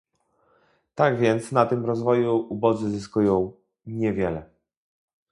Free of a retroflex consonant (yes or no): yes